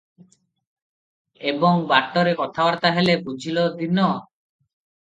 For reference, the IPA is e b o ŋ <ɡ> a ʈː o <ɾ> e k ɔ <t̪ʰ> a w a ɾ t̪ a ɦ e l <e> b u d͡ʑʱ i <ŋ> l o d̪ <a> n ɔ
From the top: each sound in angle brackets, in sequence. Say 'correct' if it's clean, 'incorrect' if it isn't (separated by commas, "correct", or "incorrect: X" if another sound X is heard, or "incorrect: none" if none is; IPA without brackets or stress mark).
incorrect: b, correct, correct, correct, incorrect: none, incorrect: i